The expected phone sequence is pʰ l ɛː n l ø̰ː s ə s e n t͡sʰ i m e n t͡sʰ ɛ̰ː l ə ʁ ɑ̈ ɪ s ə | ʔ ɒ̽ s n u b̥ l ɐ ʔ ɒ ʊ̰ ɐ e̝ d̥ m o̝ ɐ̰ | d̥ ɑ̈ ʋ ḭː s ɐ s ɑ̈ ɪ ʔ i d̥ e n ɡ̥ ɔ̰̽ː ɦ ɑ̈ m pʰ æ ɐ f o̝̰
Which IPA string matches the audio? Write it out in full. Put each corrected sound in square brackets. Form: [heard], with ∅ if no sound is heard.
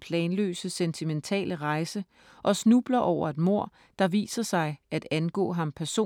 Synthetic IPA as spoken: pʰ l ɛː n l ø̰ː s ə s e n t͡sʰ i m e n t͡sʰ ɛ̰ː l ə ʁ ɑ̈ ɪ s ə | ʔ ɒ̽ s n u b̥ l ɐ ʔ ɒ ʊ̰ ɐ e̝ d̥ m o̝ ɐ̰ | d̥ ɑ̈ ʋ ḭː s ɐ s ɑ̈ ɪ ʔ [æ] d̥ [æ] n ɡ̥ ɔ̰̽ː ɦ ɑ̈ m pʰ æ ɐ [s] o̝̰